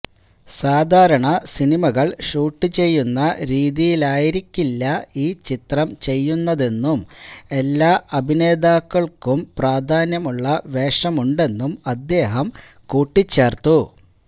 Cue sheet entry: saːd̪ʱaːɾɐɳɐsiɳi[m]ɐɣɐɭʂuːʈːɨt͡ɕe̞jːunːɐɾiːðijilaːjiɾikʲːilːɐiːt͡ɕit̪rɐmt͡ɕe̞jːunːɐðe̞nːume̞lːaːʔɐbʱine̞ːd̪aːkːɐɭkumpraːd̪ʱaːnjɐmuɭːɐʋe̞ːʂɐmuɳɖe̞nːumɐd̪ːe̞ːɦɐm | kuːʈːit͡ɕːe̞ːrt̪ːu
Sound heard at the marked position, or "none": m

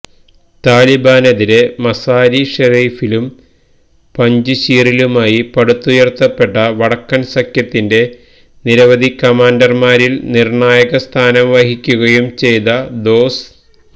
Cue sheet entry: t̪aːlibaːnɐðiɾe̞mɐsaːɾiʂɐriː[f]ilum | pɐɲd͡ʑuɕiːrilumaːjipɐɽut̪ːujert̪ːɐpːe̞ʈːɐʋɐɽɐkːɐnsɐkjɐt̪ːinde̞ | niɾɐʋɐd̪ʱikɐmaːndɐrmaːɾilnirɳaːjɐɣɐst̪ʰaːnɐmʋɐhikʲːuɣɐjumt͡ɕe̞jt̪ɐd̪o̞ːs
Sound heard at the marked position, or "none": f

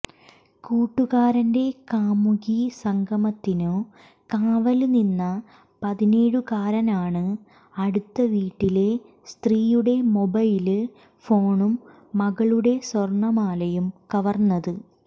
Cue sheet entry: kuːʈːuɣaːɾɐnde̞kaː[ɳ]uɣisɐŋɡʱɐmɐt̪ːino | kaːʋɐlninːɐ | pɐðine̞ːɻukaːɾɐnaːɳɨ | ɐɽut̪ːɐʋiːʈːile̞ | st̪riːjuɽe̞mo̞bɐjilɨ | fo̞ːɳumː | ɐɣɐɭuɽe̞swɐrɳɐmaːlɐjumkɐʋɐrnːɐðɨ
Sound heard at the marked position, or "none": m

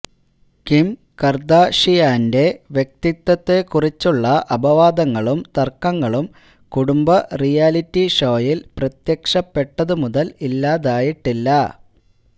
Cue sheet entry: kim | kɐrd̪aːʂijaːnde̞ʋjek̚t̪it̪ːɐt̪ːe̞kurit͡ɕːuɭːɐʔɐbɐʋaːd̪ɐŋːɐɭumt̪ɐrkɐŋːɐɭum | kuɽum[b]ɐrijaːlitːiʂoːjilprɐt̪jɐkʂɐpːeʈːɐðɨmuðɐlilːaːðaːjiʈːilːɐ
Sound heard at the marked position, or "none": b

